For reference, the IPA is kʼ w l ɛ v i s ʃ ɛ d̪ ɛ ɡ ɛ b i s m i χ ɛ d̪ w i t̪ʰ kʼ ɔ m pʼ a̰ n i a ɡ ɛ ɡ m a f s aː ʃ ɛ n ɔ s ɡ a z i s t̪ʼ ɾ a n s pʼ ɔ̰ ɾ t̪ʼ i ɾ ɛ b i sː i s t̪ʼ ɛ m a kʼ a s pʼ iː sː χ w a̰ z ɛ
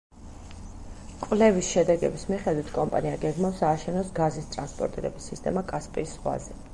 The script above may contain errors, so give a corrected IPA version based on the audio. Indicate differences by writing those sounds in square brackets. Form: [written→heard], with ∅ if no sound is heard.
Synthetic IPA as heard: kʼ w l ɛ v i s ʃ ɛ d̪ ɛ ɡ ɛ b i s m i χ ɛ d̪ w i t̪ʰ kʼ ɔ m pʼ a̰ n i a ɡ ɛ ɡ m a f s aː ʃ ɛ n ɔ s ɡ a z i s t̪ʼ ɾ a n s pʼ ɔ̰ ɾ t̪ʼ i ɾ ɛ b i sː i s t̪ʼ ɛ m a kʼ a s pʼ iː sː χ w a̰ z ɛ